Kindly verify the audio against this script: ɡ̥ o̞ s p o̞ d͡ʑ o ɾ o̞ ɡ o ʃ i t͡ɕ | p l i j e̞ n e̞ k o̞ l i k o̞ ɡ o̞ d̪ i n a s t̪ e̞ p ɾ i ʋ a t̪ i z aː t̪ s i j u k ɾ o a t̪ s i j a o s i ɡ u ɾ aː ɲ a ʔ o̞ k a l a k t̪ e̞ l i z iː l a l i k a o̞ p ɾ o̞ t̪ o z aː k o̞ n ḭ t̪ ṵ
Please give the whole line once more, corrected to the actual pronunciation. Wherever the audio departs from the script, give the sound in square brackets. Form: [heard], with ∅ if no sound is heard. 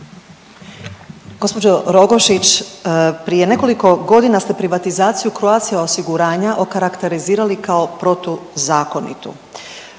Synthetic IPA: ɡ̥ o̞ s p o̞ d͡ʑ o ɾ o̞ ɡ o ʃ i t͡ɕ | p [ɾ] i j e̞ n e̞ k o̞ l i k o̞ ɡ o̞ d̪ i n a s t̪ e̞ p ɾ i ʋ a t̪ i z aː t̪ s i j u k ɾ o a t̪ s i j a o s i ɡ u ɾ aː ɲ a ʔ o̞ k a [ɾ] a k t̪ e̞ [ɾ] i z iː [ɾ] a l i k a o̞ p ɾ o̞ t̪ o z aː k o̞ n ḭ t̪ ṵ